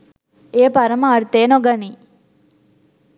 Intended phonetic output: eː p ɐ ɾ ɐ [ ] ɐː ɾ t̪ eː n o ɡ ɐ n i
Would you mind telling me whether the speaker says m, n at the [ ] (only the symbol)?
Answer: m